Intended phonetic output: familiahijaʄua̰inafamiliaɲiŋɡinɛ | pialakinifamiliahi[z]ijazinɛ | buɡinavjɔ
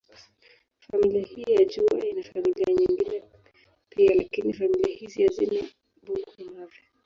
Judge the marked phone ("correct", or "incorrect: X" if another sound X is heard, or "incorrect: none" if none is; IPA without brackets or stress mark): correct